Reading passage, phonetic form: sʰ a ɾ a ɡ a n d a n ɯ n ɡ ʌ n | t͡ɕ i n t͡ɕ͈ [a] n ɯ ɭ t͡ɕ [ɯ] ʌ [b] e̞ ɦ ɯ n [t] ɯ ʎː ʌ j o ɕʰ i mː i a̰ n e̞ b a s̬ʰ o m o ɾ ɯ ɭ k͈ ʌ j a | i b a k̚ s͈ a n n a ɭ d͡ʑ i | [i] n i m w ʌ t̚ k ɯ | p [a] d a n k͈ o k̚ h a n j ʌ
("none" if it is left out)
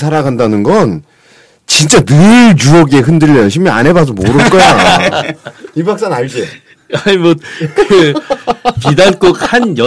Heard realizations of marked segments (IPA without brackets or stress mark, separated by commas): a, u, ɡ, d, a, i